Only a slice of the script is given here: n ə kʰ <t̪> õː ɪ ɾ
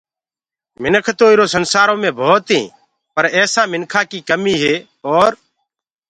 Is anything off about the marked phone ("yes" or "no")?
no